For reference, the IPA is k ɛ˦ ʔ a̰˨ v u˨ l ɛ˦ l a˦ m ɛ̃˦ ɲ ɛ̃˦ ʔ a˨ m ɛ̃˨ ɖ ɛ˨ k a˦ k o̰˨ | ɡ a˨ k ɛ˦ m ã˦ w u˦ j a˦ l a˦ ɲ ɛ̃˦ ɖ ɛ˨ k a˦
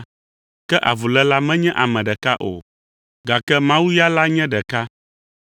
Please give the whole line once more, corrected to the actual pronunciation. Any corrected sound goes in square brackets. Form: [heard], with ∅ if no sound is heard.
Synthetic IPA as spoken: k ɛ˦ ʔ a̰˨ v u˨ l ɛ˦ l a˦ m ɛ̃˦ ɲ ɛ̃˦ ʔ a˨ m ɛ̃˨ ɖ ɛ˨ k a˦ [ʔ] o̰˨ | ɡ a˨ k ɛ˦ m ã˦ w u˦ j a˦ l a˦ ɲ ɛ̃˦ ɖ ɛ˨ k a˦